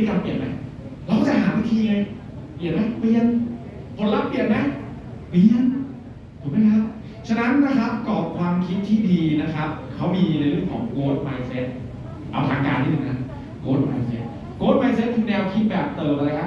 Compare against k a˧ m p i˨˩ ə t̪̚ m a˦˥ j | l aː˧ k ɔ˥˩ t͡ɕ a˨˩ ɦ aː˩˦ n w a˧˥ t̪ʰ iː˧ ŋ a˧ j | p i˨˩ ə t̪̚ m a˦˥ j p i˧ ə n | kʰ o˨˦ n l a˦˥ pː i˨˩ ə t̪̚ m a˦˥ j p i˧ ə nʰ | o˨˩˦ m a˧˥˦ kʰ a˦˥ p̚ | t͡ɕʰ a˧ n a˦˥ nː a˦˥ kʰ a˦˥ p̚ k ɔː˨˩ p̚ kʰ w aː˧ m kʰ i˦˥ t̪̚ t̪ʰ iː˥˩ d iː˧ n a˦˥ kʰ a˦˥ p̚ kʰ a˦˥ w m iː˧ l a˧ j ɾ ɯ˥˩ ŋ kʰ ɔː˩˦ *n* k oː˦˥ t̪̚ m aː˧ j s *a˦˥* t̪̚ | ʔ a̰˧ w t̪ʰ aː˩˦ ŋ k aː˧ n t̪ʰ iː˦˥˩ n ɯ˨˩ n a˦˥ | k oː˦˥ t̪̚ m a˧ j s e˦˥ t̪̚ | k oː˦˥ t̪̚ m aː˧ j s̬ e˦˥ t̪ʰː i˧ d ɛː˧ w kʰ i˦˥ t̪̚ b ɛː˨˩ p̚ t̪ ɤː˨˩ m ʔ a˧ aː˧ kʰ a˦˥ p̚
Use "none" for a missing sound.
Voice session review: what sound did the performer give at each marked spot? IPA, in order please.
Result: ŋ, e˦˥

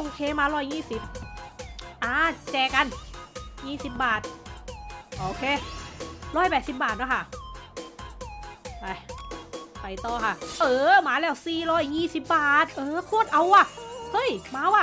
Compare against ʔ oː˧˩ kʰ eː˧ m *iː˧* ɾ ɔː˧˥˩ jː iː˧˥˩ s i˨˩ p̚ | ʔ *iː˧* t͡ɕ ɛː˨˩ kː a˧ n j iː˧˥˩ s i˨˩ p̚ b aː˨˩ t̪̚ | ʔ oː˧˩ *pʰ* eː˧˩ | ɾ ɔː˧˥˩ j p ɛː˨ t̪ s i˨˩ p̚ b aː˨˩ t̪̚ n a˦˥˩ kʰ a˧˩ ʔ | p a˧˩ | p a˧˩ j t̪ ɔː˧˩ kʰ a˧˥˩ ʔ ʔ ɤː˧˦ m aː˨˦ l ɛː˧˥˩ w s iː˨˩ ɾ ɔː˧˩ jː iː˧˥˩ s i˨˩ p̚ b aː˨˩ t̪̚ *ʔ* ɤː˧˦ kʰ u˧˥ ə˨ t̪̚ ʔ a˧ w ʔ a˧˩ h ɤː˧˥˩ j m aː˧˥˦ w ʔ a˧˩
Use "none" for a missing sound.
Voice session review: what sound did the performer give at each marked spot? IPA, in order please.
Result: aː˧, aː˧, kʰ, ʔ

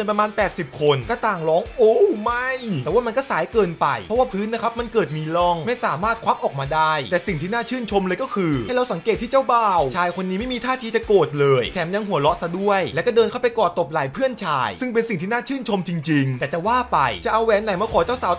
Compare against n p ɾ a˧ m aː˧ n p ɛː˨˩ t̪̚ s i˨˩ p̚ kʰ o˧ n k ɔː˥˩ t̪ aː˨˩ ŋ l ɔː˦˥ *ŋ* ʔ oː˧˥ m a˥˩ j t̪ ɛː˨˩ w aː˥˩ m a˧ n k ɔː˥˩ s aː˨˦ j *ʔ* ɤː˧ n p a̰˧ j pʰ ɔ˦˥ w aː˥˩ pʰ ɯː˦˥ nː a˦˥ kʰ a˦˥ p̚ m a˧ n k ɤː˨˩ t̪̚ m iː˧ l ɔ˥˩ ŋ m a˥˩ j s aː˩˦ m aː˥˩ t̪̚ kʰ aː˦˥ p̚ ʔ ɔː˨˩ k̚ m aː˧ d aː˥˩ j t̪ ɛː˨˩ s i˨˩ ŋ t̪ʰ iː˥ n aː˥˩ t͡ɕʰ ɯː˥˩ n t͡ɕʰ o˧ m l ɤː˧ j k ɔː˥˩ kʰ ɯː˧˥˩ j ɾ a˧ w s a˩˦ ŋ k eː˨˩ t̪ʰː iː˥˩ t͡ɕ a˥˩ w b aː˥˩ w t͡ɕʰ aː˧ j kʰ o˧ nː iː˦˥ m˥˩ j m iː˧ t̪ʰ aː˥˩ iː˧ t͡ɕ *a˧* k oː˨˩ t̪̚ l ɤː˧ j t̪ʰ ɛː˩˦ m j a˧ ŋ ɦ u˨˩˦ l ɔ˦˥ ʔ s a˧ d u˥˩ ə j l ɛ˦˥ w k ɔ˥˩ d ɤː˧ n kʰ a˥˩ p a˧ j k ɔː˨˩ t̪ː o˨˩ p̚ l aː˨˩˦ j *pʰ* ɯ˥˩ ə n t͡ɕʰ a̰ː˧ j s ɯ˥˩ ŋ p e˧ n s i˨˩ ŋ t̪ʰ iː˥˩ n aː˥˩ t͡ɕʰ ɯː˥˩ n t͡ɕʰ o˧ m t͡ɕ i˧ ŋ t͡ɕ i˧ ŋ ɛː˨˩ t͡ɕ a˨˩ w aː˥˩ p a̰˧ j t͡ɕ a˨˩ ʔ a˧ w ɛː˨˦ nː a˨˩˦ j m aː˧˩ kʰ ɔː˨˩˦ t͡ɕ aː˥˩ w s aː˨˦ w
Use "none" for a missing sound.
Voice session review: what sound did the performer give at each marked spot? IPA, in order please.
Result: ŋ, k, a˨˩, pʰ

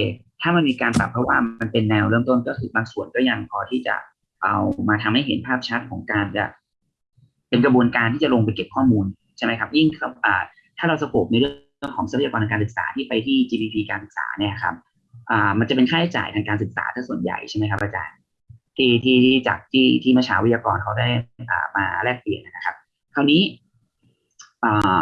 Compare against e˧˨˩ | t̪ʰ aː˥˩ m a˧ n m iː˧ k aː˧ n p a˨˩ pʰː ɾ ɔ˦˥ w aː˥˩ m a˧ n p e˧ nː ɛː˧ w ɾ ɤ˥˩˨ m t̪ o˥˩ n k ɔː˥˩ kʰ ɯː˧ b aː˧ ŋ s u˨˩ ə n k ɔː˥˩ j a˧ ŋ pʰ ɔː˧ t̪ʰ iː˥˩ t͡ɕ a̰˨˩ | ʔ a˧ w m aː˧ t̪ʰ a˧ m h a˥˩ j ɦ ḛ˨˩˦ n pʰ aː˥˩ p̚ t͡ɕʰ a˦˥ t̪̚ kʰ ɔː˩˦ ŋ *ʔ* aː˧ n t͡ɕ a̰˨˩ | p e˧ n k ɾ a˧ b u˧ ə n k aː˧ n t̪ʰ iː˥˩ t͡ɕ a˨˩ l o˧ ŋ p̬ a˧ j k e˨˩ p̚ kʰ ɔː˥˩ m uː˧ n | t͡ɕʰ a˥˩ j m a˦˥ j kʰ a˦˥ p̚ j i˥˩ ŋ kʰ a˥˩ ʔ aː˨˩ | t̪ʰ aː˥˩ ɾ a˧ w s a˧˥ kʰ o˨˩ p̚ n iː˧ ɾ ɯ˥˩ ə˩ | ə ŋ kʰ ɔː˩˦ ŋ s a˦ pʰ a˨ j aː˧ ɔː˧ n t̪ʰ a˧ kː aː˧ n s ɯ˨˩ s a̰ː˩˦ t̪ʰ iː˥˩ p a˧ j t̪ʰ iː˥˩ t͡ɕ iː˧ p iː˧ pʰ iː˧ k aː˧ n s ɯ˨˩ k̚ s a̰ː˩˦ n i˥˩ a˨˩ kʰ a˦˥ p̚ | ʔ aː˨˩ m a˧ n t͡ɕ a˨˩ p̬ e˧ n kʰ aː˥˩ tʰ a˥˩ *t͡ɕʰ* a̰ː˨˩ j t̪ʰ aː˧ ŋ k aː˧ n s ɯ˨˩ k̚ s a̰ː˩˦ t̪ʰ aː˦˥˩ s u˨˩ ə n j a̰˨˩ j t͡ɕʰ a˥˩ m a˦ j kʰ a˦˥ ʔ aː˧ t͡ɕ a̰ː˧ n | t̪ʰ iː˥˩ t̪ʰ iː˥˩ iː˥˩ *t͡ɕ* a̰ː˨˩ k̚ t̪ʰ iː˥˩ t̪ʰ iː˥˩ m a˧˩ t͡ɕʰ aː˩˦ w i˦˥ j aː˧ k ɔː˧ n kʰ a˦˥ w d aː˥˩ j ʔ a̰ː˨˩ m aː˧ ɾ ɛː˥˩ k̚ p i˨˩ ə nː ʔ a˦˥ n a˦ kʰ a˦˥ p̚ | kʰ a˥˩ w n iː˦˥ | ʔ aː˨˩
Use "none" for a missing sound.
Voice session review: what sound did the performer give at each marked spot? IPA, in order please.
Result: k, t͡ɕ, t͡ɕ

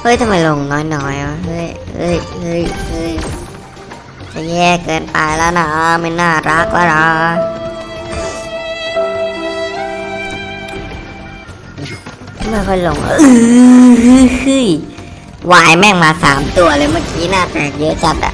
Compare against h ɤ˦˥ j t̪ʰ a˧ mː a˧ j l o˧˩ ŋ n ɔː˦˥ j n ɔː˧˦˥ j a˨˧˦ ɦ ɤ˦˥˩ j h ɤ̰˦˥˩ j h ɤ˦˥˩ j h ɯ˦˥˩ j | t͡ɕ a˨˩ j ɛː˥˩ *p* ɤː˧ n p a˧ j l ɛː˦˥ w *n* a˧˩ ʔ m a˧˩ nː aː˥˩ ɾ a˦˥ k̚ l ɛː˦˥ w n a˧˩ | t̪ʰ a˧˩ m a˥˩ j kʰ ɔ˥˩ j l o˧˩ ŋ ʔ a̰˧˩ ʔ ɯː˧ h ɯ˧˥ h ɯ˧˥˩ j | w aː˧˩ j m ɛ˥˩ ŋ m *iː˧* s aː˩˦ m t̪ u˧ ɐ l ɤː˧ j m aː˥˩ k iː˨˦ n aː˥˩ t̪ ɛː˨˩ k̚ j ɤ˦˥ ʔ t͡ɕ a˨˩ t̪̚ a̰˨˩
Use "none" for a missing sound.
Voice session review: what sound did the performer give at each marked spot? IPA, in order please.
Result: k, n, aː˧

